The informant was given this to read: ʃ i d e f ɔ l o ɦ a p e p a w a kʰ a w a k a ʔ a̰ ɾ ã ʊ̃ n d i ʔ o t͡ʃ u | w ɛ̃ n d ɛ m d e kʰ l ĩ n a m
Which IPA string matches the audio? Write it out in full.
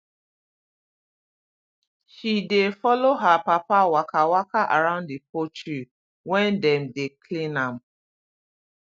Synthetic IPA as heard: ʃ i d e f ɔ l o ɦ a p a p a w a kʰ a w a k a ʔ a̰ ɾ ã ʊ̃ n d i p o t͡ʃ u | w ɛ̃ n d ɛ m d e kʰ l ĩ n a m

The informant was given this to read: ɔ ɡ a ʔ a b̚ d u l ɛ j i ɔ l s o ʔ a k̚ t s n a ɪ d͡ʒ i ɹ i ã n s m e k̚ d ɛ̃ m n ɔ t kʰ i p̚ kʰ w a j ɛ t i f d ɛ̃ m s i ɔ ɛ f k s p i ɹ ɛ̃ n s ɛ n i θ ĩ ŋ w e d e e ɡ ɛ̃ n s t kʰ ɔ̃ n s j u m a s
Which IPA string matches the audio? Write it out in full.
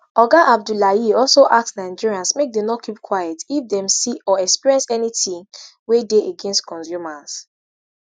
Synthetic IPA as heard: ɔ ɡ a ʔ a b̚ d u l a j i ɔ l s o ʔ a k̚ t s n a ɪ d͡ʒ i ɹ i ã n s m e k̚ d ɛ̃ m n ɔ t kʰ i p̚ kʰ w a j ɛ t i f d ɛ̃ m s i ɔ ɛ k s p i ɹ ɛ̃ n s ɛ n i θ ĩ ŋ w e d e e ɡ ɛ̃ n s t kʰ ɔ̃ n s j u m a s

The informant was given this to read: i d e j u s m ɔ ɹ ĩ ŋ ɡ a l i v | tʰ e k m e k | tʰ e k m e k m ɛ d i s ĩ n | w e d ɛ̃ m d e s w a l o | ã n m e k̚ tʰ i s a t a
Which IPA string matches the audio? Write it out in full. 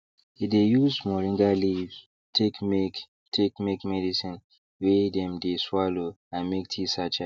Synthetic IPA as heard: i d e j u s m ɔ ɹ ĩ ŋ ɡ a l i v | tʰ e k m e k | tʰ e k m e k m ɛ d i s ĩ n | w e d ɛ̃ m d e s w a l o | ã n m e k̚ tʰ i s a t͡ʃ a

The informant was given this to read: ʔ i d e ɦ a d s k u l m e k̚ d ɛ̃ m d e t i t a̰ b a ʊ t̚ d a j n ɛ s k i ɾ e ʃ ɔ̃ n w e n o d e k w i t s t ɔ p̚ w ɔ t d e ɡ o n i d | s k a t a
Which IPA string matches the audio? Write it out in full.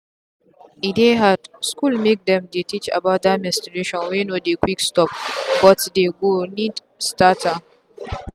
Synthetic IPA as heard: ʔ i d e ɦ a d s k u l m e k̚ d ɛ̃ m d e t i t͡ʃ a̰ b a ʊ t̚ d a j m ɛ s t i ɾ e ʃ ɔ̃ n w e n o d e k w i k s t ɔ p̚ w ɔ t d e ɡ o n i d | s t a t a

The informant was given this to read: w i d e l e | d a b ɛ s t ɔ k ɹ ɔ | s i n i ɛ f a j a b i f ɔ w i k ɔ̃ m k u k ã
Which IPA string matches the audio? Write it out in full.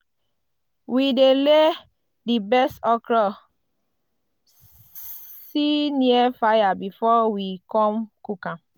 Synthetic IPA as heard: w i d e l e | d i b ɛ s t ɔ k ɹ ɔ | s i n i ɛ f a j a b i f ɔ w i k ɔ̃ m k u k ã

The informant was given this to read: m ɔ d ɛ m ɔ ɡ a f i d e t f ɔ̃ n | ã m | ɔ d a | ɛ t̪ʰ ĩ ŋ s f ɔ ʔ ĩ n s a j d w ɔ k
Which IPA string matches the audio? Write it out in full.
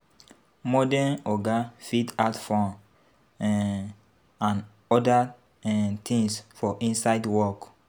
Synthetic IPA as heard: m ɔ d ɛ n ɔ ɡ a f i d a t f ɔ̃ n | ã n | ɔ d a | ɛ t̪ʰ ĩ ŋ s f ɔ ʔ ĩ n s a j d w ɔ k

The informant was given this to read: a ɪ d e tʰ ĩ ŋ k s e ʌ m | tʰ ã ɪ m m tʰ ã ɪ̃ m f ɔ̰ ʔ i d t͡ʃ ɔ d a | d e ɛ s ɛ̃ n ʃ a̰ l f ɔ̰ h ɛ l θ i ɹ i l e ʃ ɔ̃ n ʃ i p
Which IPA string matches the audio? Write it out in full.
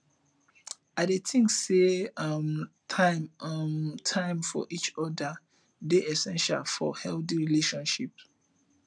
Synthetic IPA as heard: a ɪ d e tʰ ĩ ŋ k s e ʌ m | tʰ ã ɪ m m tʰ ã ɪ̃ m f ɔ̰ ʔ i t͡ʃ ɔ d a | d e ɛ s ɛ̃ n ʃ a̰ l f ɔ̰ h ɛ l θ i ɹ i l e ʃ ɔ̃ n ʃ i p

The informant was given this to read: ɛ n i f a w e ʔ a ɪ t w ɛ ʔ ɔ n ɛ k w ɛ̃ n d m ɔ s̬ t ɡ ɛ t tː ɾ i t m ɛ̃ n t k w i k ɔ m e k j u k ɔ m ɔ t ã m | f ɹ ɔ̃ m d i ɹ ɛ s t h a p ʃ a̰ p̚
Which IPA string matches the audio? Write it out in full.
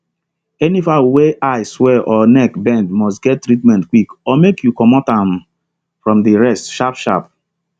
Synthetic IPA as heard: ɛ n i f a w e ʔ a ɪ s w ɛ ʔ ɔ n ɛ k b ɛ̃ n d m ɔ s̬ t ɡ ɛ t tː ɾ i t m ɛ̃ n t k w i k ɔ m e k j u k ɔ m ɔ t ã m | f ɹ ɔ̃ m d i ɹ ɛ s t ʃ a p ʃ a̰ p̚

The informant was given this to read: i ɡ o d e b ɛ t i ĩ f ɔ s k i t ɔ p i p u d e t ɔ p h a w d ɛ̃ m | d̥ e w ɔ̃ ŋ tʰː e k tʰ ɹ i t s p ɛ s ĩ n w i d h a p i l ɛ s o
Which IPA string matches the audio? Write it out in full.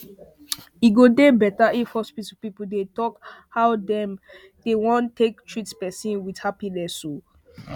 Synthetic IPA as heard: i ɡ o d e b ɛ t a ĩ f ɔ s p i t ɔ p i p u d e t ɔ k h a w d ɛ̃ m | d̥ e w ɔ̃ n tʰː e k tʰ ɹ i t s p ɛ s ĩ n w i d h a p i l ɛ s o

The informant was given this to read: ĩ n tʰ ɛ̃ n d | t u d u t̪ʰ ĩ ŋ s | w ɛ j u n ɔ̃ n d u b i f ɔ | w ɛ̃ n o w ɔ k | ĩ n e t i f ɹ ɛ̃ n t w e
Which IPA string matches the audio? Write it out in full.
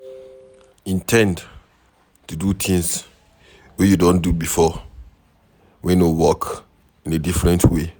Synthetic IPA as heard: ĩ n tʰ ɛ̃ n d | t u d u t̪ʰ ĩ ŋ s | w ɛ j u d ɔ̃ n d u b i f ɔ | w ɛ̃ n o w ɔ k | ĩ n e d i f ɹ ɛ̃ n t w e

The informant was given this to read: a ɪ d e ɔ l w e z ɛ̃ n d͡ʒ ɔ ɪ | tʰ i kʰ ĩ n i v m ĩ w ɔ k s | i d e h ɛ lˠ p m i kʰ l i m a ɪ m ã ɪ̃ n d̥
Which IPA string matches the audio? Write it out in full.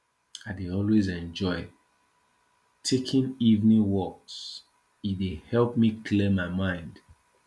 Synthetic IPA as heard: a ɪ d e ɔ l w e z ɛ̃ n d͡ʒ ɔ ɪ | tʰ e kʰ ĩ n i v n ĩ w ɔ k s | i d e h ɛ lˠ p m i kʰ l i m a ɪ m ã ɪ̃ n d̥

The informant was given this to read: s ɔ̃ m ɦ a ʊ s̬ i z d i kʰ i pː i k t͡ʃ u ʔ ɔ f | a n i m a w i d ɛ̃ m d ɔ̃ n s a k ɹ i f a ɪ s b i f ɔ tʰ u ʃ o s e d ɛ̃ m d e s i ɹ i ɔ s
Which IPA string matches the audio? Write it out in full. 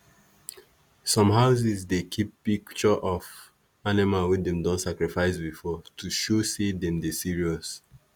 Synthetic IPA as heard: s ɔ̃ m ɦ a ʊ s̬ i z d e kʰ i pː i k t͡ʃ ɔ ʔ ɔ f | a n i m a w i d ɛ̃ m d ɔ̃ n s a k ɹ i f a ɪ s b i f ɔ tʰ u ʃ o s e d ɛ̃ m d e s i ɹ i ɔ s

